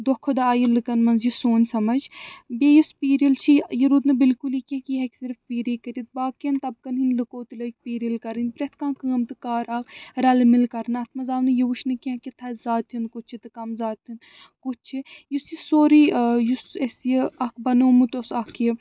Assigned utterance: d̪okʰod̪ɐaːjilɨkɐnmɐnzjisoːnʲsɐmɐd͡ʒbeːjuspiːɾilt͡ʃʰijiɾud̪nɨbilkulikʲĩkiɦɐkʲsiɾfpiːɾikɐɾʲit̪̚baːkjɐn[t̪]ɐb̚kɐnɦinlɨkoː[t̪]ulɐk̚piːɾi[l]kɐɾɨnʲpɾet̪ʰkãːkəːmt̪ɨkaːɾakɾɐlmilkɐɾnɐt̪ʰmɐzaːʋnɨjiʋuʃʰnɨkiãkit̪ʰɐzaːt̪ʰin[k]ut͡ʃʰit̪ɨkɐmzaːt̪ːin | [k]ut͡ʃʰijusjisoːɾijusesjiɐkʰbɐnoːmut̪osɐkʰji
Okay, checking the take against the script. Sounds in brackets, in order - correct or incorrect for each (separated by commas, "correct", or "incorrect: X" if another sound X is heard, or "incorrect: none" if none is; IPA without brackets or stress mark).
correct, correct, correct, correct, correct